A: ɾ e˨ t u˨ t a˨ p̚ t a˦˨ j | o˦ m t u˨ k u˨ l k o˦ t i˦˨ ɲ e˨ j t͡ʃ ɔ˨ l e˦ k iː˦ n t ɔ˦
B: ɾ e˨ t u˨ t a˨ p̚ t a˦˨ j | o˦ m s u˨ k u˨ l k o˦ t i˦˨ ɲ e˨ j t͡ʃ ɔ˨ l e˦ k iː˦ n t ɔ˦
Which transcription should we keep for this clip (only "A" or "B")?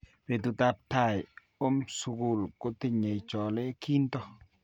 B